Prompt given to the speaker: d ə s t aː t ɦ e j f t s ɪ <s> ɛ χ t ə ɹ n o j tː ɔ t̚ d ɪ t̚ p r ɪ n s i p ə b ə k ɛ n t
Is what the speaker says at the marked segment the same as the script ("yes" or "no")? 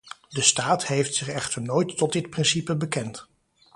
no